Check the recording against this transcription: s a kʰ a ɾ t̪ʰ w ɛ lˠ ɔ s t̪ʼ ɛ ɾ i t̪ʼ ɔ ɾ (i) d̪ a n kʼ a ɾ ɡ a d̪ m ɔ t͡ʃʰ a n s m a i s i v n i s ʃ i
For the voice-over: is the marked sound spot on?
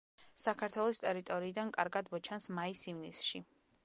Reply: no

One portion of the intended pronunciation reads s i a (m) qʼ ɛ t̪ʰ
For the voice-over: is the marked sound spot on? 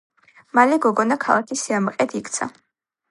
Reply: yes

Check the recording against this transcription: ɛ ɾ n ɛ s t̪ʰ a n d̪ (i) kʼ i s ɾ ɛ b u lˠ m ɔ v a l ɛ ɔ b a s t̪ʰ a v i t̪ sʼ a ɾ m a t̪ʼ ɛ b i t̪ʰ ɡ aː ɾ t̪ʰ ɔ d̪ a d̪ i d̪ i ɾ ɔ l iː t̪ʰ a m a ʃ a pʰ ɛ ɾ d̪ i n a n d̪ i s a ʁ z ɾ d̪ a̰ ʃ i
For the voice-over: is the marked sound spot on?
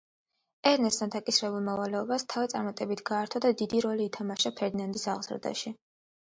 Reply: no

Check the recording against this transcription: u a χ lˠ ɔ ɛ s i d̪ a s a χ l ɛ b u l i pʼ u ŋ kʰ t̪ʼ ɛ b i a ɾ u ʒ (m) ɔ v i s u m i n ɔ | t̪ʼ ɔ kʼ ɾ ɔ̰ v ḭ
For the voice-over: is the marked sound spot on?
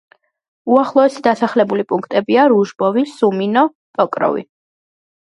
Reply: no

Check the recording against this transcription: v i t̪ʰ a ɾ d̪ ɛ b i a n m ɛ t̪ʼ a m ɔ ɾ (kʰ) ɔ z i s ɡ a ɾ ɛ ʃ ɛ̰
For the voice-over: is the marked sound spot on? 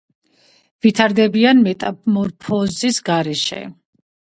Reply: no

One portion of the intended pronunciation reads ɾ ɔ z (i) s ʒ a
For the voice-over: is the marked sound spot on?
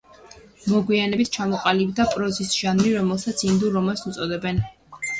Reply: yes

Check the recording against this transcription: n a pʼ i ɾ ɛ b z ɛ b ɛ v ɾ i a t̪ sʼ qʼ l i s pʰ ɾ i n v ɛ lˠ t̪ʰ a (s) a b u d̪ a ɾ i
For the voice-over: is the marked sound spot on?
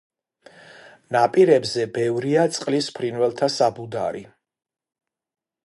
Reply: yes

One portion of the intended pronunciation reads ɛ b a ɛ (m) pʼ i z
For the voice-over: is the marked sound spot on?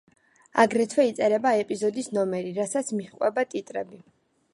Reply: no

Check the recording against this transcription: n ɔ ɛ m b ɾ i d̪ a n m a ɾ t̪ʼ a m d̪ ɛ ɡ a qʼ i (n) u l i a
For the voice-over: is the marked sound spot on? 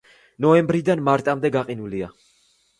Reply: yes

